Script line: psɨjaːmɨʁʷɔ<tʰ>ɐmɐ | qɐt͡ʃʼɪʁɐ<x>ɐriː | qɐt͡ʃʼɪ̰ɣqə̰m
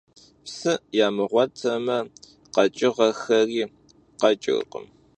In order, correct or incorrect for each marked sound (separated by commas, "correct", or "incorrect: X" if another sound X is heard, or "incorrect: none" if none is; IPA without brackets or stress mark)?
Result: correct, correct